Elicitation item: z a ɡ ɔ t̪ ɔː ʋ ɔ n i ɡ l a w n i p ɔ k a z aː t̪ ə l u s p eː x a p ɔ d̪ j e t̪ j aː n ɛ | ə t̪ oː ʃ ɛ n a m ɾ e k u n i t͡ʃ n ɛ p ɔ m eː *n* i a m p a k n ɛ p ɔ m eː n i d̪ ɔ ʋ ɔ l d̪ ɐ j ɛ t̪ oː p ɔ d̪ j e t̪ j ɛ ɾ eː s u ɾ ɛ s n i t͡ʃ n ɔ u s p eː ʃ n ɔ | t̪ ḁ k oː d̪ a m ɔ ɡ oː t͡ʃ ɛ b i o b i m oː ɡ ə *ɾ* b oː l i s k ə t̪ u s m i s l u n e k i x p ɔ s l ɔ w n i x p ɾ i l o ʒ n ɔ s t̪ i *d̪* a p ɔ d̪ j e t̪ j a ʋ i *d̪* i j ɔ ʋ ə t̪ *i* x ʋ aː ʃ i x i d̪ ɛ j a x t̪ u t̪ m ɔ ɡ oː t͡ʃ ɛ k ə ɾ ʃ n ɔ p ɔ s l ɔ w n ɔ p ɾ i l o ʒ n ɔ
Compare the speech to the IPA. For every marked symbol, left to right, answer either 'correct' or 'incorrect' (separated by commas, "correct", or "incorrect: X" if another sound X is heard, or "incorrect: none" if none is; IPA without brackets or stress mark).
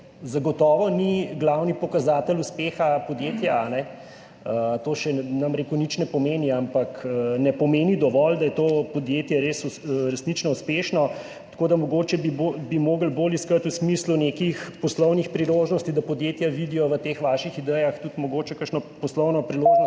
correct, incorrect: l, correct, correct, incorrect: e